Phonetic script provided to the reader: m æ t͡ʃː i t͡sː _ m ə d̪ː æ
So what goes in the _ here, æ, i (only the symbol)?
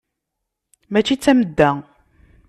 æ